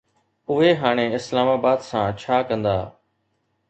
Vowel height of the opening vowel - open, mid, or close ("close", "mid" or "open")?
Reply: close